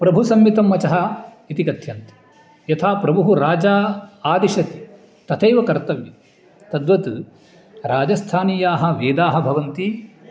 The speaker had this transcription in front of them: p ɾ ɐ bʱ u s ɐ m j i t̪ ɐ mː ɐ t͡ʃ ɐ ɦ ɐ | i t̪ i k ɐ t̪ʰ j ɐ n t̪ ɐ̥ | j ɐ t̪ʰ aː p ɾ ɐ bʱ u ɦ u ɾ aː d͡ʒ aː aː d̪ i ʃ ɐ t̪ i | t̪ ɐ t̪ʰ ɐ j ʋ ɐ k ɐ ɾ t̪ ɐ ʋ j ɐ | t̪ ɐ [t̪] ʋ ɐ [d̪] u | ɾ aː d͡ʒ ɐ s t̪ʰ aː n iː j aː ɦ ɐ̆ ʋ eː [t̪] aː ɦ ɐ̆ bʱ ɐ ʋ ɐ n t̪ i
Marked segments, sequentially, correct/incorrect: incorrect, incorrect, incorrect

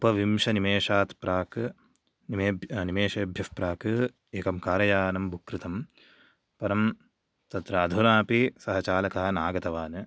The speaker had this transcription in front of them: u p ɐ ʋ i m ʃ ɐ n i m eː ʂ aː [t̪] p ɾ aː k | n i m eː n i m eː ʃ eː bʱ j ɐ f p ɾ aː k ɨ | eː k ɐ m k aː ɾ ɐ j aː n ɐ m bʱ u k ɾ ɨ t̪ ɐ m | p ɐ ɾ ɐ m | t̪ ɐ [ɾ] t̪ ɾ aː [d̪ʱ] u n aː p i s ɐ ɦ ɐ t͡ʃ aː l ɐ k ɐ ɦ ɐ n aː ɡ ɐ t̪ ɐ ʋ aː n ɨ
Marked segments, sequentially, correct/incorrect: correct, incorrect, correct

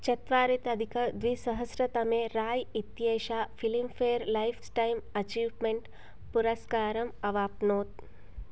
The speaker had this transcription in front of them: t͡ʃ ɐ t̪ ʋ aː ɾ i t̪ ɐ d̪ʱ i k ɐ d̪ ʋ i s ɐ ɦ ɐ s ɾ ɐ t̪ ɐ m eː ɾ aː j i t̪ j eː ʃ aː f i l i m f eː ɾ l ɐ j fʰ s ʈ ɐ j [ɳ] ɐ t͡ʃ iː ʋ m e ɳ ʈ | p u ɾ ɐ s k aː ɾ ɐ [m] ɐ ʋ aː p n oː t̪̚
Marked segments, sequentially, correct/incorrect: incorrect, correct

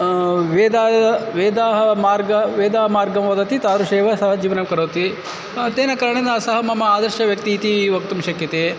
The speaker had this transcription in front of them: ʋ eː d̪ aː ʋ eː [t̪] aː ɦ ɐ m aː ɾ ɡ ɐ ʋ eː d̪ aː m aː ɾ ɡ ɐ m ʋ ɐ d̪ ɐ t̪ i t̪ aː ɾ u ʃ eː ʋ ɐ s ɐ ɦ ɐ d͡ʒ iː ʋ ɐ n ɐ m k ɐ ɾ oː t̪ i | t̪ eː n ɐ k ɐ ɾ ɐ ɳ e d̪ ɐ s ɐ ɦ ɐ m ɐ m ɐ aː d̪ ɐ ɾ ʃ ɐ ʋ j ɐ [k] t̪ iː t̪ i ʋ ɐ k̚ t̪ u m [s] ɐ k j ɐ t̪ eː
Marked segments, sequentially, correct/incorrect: incorrect, correct, incorrect

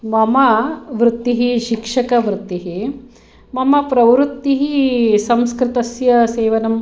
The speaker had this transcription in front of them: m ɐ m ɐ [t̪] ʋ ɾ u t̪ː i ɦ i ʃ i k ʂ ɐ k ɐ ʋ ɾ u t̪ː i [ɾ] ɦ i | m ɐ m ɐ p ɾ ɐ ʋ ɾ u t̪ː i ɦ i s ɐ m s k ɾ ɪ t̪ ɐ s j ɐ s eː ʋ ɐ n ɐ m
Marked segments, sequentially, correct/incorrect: incorrect, incorrect

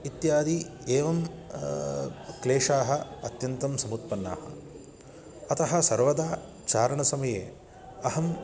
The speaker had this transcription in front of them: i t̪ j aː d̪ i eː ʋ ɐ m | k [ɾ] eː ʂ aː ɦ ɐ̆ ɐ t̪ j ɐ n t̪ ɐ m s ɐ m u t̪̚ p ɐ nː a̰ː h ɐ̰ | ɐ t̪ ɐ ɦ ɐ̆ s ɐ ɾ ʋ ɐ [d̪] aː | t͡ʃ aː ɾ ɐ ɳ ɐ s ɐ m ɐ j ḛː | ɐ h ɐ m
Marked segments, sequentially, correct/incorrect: incorrect, correct

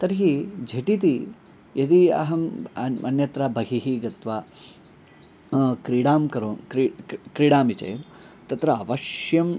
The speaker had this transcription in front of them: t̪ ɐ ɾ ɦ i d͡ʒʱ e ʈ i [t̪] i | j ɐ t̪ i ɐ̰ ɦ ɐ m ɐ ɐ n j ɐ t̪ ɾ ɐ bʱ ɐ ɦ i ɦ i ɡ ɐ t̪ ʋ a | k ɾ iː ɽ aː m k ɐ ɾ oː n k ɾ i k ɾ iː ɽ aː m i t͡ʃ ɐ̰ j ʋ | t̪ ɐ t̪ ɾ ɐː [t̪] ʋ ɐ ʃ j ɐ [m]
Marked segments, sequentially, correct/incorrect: correct, incorrect, correct

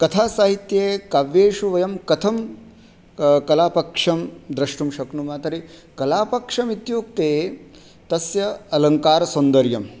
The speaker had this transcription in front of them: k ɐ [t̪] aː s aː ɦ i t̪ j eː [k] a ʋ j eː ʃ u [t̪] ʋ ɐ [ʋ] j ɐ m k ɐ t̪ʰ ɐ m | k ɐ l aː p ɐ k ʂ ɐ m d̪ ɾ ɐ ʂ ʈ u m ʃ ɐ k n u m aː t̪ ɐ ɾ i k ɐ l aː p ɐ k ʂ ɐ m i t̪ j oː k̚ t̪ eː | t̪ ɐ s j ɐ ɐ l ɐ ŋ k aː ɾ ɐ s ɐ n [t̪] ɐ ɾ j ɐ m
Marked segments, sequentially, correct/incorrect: incorrect, correct, incorrect, incorrect, incorrect

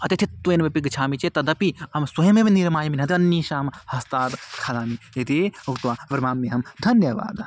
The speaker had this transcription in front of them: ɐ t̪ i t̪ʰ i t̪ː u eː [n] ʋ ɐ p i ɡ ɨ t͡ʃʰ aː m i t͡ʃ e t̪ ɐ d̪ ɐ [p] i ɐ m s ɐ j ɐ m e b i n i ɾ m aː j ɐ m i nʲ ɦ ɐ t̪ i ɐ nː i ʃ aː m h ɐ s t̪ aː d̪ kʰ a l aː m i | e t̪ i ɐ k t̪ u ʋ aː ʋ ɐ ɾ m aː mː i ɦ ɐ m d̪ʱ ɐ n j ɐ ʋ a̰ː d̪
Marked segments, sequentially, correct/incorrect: correct, correct

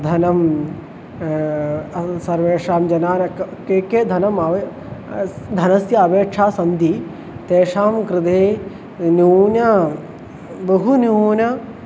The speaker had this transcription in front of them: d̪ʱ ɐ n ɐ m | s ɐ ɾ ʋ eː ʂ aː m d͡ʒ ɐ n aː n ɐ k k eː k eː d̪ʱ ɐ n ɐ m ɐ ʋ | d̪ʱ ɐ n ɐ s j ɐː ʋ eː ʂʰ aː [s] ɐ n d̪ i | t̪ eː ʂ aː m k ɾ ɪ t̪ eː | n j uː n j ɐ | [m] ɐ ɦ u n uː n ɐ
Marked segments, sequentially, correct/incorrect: correct, incorrect

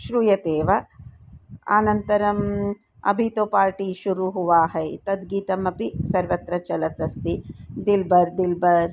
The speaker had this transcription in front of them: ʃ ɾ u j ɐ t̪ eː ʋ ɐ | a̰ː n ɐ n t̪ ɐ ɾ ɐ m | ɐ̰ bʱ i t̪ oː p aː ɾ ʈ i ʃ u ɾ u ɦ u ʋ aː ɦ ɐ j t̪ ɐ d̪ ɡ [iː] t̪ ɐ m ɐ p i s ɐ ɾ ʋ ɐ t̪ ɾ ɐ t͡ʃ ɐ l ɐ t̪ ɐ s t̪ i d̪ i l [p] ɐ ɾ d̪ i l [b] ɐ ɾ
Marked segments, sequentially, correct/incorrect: correct, incorrect, correct

